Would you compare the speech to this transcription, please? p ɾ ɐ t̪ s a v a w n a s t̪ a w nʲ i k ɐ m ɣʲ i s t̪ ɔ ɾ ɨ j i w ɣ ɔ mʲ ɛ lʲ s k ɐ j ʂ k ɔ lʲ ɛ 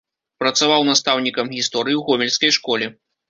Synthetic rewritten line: p ɾ ɐ t̪ s a v a w n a s t̪ a w nʲ i k ɐ m ɣʲ i s t̪ ɔ ɾ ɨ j i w ɣ ɔ mʲ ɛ lʲ s k ɐ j ʂ k ɔ lʲ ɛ